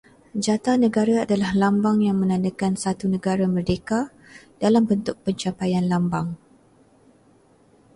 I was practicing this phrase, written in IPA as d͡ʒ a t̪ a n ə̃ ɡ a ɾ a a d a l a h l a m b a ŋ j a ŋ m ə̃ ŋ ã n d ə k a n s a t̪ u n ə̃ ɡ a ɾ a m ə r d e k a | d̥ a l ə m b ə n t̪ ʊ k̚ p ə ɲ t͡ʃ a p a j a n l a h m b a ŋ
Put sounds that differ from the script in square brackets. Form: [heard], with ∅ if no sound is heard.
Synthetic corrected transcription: d͡ʒ a t̪ a n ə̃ ɡ a ɾ a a d a l a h l a m b a ŋ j a ŋ m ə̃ [n] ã n d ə k a n s a t̪ u n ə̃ ɡ a ɾ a m ə r d e k a | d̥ a l [a] m b ə n t̪ ʊ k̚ p ə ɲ t͡ʃ a p a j a n l a [∅] m b a ŋ